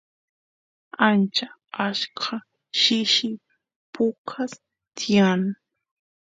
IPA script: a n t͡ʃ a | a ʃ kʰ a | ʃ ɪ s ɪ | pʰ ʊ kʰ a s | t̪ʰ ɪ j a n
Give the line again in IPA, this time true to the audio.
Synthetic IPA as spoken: a n t͡ʃ a | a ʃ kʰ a | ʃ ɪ ʃ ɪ | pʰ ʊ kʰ a s | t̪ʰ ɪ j a n